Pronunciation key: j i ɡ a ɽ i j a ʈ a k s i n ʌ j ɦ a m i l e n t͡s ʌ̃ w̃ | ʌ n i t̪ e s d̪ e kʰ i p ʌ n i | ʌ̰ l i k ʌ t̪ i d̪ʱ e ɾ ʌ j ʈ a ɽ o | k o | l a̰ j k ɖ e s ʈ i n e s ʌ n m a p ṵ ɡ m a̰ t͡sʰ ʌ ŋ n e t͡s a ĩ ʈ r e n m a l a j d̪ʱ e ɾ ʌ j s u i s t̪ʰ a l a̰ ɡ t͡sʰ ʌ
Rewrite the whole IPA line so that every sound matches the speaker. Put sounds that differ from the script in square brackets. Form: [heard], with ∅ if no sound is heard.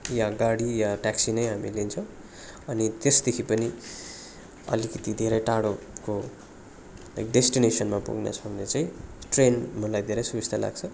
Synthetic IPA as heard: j [a] ɡ a ɽ i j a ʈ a k s i n ʌ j ɦ a m i l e n [t͡sʰ] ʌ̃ w̃ | ʌ n i t̪ e s d̪ e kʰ i p ʌ n i | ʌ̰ l i k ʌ t̪ i d̪ʱ e ɾ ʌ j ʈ a ɽ o | k o | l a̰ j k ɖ e s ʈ i n e s ʌ n m a p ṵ ɡ [n] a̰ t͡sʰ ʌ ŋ n e t͡s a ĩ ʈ r e n m [ʌ] l a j d̪ʱ e ɾ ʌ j s u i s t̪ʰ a l a̰ ɡ t͡sʰ ʌ